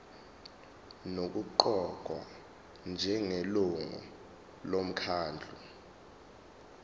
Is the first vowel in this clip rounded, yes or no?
yes